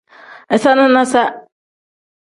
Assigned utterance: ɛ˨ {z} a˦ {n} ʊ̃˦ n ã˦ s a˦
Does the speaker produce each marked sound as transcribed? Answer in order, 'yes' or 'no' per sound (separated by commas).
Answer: no, yes